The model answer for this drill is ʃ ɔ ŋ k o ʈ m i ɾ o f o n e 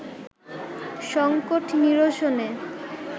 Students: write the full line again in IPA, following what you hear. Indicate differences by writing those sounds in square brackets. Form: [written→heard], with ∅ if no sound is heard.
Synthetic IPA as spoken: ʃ ɔ ŋ k o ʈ [m→n] i ɾ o [f→ʃ] o n e